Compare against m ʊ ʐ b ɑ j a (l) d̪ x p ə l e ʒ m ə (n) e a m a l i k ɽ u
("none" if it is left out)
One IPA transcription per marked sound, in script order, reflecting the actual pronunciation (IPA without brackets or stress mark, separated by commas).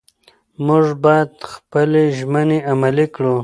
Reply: none, n